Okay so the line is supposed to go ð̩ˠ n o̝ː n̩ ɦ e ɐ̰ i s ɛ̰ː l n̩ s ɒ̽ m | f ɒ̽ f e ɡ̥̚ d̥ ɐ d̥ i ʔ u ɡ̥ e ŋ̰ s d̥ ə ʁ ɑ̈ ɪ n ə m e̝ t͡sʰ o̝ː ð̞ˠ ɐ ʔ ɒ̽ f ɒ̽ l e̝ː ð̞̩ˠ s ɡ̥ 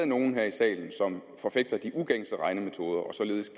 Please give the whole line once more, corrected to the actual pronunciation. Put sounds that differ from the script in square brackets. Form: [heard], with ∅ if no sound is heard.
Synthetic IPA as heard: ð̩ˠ n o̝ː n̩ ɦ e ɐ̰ i s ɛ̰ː l n̩ s ɒ̽ m | f ɒ̽ f e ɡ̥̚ d̥ ɐ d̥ i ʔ u ɡ̥ e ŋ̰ s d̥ ə ʁ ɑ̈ ɪ n ə m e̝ t͡sʰ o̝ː ð̞ˠ ɐ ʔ ɒ̽ [s] ɒ̽ l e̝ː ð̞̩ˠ s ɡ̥